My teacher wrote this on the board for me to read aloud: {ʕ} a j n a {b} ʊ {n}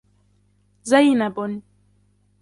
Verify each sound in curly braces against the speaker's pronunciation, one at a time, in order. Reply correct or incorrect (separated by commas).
incorrect, correct, correct